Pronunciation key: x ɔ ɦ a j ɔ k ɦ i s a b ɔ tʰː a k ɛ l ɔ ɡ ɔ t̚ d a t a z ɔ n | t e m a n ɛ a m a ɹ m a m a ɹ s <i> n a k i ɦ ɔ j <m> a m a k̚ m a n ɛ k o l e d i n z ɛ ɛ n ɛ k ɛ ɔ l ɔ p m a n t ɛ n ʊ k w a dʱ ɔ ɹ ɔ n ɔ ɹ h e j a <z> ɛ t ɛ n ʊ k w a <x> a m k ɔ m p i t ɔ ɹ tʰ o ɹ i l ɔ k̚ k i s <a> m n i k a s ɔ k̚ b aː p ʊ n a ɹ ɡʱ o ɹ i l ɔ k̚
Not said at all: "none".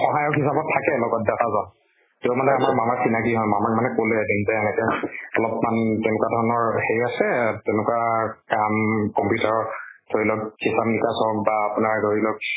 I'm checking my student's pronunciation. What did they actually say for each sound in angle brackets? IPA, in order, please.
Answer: i, m, s, k, a

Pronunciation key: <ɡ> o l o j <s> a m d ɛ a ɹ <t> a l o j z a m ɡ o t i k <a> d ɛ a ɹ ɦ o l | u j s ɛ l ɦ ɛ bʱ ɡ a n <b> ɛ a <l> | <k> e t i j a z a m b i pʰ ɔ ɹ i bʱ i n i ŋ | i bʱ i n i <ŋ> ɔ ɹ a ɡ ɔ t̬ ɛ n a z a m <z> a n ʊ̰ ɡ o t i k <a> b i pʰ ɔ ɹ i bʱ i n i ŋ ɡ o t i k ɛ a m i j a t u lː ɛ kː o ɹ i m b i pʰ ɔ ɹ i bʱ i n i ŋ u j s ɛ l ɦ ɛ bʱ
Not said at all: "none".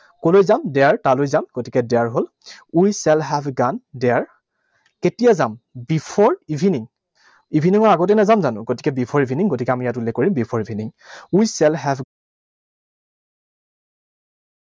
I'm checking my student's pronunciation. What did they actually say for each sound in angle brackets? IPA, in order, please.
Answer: k, z, t, ɛ, d, ɹ, k, ŋ, z, ɛ

